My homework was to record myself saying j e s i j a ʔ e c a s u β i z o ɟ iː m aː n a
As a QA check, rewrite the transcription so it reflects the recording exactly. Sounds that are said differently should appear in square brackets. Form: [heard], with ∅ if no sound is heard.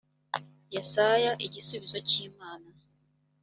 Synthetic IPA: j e s [a] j a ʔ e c [i] s u β i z o [c] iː m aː n a